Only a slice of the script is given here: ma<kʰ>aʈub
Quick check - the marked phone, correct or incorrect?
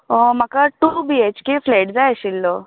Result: incorrect